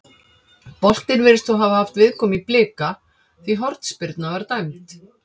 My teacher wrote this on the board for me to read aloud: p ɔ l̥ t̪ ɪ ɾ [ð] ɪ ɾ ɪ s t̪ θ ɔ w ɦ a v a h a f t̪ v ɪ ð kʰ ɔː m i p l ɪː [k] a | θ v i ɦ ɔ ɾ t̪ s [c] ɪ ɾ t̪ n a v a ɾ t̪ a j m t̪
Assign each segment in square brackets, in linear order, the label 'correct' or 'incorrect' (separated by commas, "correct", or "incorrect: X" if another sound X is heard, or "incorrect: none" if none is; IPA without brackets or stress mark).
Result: incorrect: v, correct, incorrect: p